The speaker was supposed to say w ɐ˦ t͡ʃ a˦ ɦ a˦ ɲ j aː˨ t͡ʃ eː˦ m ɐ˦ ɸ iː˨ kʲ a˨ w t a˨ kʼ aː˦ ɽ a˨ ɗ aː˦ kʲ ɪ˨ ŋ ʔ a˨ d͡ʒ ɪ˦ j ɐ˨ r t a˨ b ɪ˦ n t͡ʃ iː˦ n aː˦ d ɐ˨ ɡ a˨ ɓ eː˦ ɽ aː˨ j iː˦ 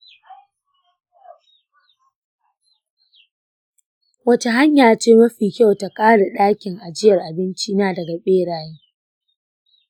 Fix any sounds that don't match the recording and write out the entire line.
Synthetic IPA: w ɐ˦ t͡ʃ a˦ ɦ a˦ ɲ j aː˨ t͡ʃ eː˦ m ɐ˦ ɸ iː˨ kʲ a˦ w t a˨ kʼ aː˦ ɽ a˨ ɗ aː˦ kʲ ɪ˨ ŋ ʔ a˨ d͡ʒ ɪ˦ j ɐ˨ r ʔ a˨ b ɪ˦ n t͡ʃ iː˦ n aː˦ d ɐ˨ ɡ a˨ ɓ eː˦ ɽ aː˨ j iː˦

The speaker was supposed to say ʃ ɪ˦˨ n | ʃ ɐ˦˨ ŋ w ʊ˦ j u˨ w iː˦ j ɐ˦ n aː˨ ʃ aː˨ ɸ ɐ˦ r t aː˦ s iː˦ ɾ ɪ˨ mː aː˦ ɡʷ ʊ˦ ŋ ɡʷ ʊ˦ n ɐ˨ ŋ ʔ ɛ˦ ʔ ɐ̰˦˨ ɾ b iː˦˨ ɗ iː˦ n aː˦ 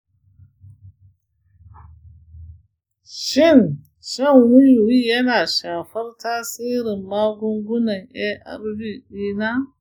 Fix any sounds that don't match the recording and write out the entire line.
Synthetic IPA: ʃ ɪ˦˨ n | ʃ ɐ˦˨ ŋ w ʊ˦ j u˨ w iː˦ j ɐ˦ n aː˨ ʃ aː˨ ɸ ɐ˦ r t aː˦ s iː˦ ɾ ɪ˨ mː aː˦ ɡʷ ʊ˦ ŋ ɡʷ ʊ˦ n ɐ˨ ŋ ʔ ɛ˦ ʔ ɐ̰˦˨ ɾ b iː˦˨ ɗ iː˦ n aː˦

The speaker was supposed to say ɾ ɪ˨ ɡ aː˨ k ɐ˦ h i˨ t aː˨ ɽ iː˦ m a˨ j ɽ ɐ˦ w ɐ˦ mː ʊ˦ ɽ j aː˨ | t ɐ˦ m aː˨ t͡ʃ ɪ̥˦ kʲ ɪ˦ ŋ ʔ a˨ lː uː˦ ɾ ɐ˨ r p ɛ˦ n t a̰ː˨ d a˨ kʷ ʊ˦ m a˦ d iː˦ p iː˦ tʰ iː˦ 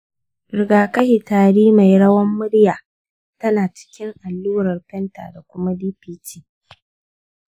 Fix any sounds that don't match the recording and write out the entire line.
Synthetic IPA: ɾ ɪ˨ ɡ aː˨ k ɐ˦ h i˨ t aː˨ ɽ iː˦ m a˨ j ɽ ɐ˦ w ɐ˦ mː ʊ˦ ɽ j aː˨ | t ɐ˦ n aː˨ t͡ʃ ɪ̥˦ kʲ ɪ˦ ŋ ʔ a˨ lː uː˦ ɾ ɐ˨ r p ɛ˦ n t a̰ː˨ d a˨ kʷ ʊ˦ m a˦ d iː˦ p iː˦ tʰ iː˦

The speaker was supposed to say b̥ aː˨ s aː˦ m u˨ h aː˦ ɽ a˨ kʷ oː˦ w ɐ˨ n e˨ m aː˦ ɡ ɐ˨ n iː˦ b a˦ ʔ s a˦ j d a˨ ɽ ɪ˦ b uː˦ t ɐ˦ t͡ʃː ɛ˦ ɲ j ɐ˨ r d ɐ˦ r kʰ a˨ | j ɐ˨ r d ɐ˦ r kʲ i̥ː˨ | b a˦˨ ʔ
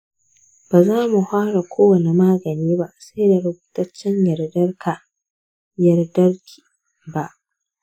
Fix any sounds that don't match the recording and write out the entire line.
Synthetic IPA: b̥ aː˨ z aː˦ m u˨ h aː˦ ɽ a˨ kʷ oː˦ w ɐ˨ n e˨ m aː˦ ɡ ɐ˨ n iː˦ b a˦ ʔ s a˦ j d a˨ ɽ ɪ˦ b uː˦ t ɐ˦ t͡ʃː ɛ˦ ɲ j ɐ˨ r d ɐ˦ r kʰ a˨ | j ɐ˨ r d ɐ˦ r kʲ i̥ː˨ | b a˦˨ ʔ

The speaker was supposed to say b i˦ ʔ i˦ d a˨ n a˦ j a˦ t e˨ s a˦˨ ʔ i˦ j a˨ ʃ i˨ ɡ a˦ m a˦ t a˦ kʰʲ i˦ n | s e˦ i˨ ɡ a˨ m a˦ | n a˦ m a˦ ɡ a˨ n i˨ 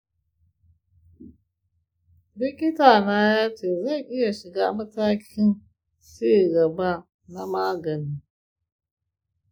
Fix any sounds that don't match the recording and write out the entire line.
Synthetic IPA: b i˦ k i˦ t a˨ n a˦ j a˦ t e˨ z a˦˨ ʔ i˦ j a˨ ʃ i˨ ɡ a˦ m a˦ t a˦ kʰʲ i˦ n | s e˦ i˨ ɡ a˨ b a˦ | n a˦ m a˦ ɡ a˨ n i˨

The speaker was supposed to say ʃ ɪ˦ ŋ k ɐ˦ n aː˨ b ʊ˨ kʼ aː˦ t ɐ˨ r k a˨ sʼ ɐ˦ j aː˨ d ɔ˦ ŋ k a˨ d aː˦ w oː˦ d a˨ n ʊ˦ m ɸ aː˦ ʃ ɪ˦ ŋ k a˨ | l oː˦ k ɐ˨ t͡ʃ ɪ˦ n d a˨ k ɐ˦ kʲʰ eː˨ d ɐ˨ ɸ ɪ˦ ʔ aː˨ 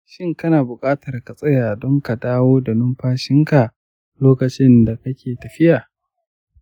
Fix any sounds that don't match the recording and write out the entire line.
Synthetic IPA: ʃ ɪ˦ ŋ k ɐ˦ n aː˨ b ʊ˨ kʼ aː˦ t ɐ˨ r k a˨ sʼ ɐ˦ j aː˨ d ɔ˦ ŋ k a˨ d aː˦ w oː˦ d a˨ n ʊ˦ m ɸ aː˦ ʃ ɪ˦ ŋ k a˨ | l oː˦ k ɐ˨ t͡ʃ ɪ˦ n d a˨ k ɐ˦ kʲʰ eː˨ t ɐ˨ ɸ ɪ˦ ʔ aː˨

